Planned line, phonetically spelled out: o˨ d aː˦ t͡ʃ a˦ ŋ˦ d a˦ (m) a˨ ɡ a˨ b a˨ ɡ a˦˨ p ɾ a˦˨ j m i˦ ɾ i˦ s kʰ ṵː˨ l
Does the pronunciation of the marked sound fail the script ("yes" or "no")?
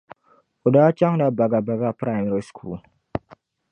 yes